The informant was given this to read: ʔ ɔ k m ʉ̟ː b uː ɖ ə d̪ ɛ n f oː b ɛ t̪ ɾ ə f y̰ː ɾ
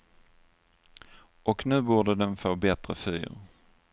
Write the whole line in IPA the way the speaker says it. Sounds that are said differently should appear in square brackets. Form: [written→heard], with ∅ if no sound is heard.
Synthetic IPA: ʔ ɔ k [m→n] ʉ̟ː b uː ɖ ə d̪ ɛ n f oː b ɛ t̪ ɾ ə f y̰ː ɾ